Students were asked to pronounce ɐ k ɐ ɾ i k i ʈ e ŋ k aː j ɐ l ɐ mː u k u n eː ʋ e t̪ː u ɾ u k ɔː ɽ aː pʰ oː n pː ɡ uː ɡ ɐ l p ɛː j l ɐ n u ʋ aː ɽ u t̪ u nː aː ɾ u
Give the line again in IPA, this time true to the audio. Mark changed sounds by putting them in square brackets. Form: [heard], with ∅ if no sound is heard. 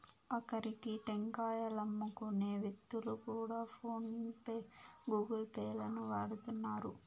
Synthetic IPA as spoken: ɐ k ɐ ɾ i k i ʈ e ŋ k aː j ɐ l ɐ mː u k u n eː ʋ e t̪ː u [l] u k [uː] ɽ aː pʰ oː n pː ɡ uː ɡ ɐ l p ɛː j l ɐ n u ʋ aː ɽ u t̪ u nː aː ɾ u

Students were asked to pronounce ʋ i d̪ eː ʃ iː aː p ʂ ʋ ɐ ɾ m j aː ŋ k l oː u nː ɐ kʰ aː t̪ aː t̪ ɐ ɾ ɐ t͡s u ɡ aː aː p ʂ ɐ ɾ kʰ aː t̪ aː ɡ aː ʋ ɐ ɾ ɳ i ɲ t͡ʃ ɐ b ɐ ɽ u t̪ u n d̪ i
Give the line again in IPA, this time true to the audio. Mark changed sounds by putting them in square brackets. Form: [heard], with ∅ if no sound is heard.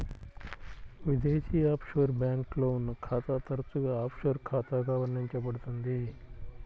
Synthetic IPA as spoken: ʋ i d̪ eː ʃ iː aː p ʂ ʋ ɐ ɾ [b] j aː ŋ k l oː u nː ɐ kʰ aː t̪ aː t̪ ɐ ɾ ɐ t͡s u ɡ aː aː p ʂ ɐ ɾ kʰ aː t̪ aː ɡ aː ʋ ɐ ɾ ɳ i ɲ t͡ʃ ɐ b ɐ ɽ u t̪ u n d̪ i

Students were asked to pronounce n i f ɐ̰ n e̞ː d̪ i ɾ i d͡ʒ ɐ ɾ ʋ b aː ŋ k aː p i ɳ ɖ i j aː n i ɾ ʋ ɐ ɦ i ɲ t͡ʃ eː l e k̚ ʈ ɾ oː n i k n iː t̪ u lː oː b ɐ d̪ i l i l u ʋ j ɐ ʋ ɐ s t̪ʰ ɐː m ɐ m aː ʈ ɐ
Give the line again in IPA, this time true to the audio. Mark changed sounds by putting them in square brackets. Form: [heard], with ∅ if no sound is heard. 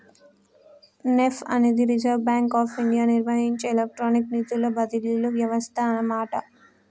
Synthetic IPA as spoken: n [e] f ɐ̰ n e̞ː d̪ i ɾ i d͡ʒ ɐ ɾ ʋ b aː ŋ k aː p i ɳ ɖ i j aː n i ɾ ʋ ɐ ɦ i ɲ t͡ʃ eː l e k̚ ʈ ɾ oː n i k n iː t̪ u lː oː b ɐ d̪ i l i l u ʋ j ɐ ʋ ɐ s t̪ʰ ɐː [n] ɐ m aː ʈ ɐ

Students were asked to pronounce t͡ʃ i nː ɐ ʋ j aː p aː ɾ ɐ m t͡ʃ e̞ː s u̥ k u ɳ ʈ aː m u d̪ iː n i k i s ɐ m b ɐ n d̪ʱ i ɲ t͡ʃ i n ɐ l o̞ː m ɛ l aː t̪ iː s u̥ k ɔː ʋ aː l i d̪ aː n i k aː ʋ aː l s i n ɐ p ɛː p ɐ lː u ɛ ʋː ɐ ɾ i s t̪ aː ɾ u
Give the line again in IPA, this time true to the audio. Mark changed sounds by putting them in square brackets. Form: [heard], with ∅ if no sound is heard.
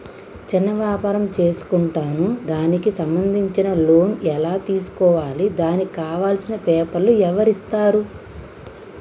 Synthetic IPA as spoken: t͡ʃ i nː ɐ ʋ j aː p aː ɾ ɐ m t͡ʃ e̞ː s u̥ k u ɳ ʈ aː [n] u d̪ [aː] n i k i s ɐ m b ɐ n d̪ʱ i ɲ t͡ʃ i n ɐ l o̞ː [n] ɛ l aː t̪ iː s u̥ k ɔː ʋ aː l i d̪ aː n i k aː ʋ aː l s i n ɐ p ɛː p ɐ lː u ɛ [ʋ] ɐ ɾ i s t̪ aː ɾ u

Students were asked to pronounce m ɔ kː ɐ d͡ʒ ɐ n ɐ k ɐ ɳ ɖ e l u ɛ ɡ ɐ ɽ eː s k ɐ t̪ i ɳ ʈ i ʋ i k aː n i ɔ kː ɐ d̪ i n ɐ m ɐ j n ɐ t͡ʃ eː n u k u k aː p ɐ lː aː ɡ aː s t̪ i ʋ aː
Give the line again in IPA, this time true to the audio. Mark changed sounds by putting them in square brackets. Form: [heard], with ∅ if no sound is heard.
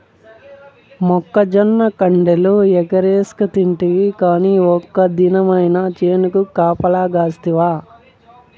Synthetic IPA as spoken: m ɔ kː ɐ d͡ʒ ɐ [nː] ɐ k ɐ ɳ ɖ e l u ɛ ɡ ɐ [ɾ] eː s k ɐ t̪ i ɳ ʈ i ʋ i k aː n i ɔ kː ɐ d̪ i n ɐ m ɐ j n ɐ t͡ʃ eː n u k u k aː p ɐ [l] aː ɡ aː s t̪ i ʋ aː

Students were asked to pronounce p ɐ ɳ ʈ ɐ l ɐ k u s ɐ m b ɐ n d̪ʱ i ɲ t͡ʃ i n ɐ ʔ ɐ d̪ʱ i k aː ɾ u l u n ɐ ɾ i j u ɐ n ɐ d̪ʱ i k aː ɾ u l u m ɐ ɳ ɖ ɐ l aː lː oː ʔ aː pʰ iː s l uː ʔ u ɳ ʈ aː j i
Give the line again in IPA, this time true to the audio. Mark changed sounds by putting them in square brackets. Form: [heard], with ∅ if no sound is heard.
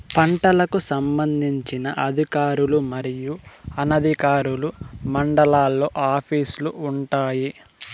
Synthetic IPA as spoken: p ɐ ɳ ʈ ɐ l ɐ k u s ɐ m b ɐ n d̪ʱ i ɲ t͡ʃ i n ɐ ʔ ɐ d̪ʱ i k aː ɾ u l u [m] ɐ ɾ i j u ɐ n ɐ d̪ʱ i k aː ɾ u l u m ɐ ɳ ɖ ɐ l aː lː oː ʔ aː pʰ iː s l [u] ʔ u ɳ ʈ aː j i

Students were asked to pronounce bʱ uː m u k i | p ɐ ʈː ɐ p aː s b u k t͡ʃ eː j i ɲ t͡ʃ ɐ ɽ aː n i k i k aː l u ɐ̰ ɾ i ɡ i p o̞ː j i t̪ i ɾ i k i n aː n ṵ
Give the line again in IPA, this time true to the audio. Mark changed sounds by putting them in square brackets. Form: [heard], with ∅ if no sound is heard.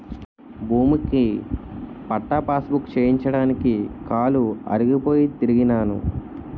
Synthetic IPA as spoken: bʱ uː m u k i | p ɐ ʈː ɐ p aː s b u k t͡ʃ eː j i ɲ t͡ʃ ɐ ɽ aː n i k i k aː l u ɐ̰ ɾ i ɡ i p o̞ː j i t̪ i ɾ i [ɡ] i n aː n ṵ

